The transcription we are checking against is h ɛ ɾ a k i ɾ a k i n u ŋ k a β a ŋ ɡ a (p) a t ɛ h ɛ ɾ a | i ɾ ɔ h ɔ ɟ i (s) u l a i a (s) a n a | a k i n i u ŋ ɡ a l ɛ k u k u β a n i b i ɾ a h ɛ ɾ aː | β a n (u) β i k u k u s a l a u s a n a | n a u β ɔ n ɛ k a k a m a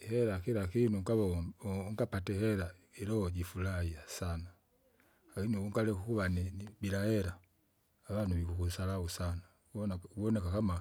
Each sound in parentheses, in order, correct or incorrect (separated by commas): correct, incorrect, correct, correct